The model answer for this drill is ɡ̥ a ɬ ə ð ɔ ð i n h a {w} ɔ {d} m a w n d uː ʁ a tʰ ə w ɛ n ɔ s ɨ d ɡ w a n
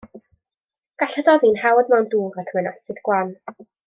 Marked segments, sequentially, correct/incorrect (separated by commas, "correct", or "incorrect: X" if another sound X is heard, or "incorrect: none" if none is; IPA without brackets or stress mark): correct, correct